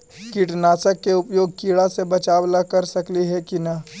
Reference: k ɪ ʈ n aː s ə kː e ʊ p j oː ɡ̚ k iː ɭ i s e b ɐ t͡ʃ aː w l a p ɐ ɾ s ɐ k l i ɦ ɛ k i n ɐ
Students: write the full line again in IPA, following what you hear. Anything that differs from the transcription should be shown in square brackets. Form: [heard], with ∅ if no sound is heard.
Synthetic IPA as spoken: k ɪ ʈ n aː s ə kː e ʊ p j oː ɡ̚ k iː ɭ [a] s e b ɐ t͡ʃ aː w l a [k] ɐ ɾ s ɐ k l i ɦ ɛ k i n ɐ